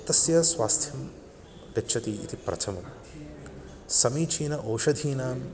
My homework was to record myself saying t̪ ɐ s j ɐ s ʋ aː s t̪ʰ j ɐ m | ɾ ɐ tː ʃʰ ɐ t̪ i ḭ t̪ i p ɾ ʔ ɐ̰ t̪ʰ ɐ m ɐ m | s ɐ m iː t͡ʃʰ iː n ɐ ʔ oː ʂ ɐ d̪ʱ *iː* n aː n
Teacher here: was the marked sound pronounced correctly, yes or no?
yes